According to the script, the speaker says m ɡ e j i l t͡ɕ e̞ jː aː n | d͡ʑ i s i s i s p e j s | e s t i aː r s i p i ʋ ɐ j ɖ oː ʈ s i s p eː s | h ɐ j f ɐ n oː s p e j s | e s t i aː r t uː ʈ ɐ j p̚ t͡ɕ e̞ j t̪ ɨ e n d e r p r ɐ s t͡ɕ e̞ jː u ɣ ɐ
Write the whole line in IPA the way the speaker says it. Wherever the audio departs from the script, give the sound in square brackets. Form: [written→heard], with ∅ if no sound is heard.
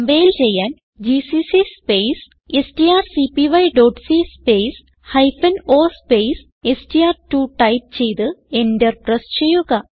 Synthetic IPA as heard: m [ɡ→b] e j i l t͡ɕ e̞ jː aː n | d͡ʑ i s i s i s p e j s | e s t i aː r s i p i ʋ ɐ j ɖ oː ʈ s i s p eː s | h ɐ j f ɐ n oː s p e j s | e s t i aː r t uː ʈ ɐ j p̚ t͡ɕ e̞ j t̪ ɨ e n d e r p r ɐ s t͡ɕ e̞ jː u ɣ ɐ